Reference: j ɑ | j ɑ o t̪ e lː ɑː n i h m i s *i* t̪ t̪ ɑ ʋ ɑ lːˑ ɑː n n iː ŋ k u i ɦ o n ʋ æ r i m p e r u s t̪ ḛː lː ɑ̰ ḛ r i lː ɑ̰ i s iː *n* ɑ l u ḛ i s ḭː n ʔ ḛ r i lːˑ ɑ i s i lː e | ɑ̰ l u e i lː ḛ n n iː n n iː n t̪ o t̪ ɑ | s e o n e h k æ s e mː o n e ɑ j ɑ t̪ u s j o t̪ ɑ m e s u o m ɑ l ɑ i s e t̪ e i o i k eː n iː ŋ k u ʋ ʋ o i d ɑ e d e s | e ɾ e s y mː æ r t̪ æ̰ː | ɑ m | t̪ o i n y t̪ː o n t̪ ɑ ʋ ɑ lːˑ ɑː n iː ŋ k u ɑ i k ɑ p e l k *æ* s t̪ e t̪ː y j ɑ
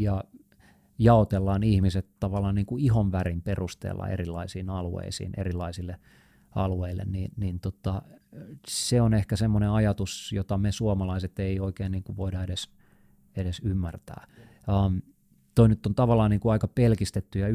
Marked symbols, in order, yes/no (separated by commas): no, yes, no